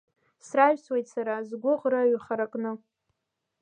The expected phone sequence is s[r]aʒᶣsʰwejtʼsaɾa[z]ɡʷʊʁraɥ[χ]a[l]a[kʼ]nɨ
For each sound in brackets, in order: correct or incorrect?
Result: correct, correct, correct, incorrect: ɾ, correct

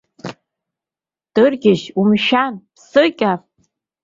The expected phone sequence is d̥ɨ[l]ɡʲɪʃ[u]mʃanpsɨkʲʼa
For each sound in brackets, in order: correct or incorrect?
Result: incorrect: r, correct

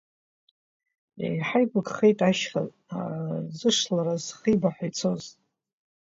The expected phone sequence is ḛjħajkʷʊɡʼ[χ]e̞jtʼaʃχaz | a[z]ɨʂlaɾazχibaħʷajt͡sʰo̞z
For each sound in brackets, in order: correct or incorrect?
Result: correct, correct

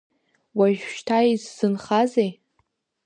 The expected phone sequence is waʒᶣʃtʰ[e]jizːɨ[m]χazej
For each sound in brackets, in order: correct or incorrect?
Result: incorrect: a, incorrect: n

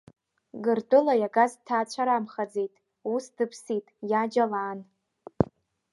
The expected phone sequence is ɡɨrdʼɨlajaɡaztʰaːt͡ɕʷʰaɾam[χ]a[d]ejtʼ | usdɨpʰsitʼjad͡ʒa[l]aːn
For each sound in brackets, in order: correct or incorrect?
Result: correct, incorrect: d͡z, correct

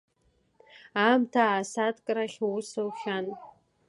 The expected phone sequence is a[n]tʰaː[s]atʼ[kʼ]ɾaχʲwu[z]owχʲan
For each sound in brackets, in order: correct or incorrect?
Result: incorrect: m, correct, correct, incorrect: s

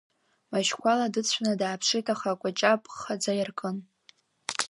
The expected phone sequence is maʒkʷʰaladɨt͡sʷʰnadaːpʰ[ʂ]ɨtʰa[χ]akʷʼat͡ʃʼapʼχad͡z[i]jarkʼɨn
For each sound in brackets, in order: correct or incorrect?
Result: correct, correct, incorrect: a

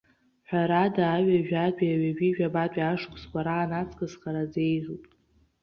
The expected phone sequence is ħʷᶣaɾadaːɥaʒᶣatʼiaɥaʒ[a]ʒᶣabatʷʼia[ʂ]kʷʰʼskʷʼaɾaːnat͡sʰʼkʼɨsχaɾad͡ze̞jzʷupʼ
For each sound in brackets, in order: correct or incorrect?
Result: incorrect: i, correct

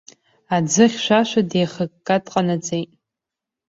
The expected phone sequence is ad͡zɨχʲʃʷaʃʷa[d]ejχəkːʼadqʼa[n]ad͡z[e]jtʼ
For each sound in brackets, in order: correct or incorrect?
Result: correct, correct, correct

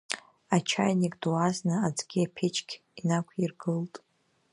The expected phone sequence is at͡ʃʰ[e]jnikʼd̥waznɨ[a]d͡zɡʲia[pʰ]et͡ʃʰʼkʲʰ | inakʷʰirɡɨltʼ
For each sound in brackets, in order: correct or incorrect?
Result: incorrect: a, correct, correct

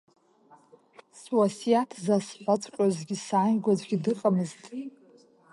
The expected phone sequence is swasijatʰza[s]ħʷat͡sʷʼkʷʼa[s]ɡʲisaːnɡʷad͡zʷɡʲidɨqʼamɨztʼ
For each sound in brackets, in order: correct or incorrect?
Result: correct, incorrect: z

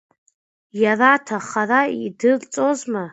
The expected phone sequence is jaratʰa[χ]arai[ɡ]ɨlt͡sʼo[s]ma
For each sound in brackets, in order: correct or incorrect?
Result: correct, incorrect: d, incorrect: z

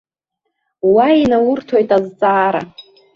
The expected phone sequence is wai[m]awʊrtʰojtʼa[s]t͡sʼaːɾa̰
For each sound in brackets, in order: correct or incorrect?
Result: incorrect: n, incorrect: z

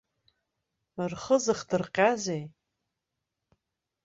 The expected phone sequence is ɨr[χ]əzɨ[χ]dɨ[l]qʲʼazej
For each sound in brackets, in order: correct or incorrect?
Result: correct, correct, incorrect: r

